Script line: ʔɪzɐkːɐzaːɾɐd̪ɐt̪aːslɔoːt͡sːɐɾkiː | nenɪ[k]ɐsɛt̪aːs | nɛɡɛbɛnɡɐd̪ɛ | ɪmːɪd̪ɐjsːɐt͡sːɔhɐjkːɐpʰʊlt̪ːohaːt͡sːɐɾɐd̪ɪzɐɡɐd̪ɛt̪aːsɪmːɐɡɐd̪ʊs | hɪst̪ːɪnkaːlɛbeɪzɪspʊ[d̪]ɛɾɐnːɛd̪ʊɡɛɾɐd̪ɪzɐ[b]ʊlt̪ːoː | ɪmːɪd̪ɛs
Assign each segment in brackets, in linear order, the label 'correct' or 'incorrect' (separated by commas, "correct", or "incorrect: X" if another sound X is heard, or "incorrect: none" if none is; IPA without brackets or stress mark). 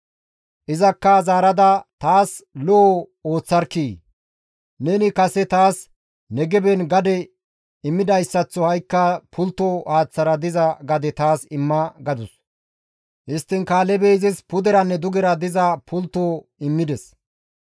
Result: correct, correct, incorrect: p